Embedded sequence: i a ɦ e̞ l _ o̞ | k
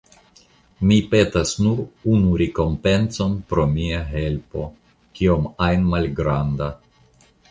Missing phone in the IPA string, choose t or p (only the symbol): p